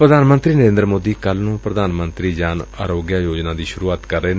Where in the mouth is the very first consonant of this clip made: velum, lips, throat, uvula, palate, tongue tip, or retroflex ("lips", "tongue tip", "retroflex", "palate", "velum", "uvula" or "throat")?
lips